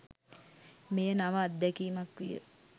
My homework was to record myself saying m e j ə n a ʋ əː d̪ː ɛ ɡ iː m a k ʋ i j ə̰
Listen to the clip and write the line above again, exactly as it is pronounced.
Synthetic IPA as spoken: m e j ə n a ʋ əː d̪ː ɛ k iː m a k ʋ i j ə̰

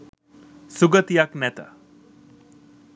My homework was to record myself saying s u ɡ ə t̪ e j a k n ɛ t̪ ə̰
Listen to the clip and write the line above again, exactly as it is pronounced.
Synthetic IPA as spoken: s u ɡ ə t̪ i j a k n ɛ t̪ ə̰

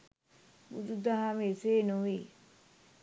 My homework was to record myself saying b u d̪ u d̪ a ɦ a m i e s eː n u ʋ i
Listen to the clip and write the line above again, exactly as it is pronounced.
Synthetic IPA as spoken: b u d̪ u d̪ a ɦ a m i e s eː n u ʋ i

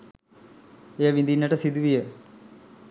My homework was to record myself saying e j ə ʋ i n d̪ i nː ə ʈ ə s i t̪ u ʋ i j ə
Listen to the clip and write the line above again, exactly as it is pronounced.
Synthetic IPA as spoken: e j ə ʋ i n d̪ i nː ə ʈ ə s i d̪ u ʋ i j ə

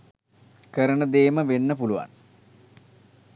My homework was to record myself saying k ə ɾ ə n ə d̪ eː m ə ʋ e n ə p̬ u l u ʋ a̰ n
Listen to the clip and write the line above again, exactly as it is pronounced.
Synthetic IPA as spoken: k ə ɾ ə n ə d̪ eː m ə ʋ e nː ə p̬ u l u ʋ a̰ n

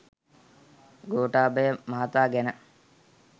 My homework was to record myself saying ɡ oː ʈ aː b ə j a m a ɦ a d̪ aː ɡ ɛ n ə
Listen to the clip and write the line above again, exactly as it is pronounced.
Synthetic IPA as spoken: ɡ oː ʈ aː b ə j ə m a ɦ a t̪ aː ɡ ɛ n ə

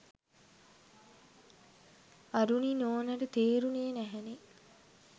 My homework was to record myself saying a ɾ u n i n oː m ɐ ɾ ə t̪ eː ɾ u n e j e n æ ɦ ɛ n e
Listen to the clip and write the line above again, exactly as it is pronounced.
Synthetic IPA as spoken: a ɾ u n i n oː n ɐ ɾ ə t̪ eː ɾ u n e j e n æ ɦ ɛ n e

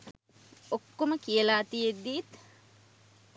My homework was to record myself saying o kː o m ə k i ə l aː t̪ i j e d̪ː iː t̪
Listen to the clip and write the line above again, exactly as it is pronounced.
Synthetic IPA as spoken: o kː o m ə k i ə l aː t̪ i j e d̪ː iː t̪

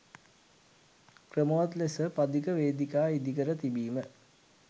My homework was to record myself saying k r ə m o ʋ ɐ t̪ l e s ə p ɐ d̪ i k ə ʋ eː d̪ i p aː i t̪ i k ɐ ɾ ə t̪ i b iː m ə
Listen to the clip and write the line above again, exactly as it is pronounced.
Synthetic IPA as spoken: k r ə m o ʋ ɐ t̪ l e s ə p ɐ d̪ i k ə ʋ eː d̪ i k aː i d̪ i k ə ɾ ə t̪ i b iː m ə

